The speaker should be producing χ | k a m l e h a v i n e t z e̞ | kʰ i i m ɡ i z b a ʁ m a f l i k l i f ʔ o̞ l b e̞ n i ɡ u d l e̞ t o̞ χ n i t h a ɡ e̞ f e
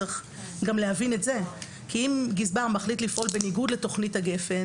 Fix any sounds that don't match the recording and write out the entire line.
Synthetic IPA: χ | ɡ a m l e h a v i n e t z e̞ | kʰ i i m ɡ i z b a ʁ m a χ l i t l i f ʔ o̞ l b e̞ n i ɡ u d l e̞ t o̞ χ n i t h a ɡ e̞ f e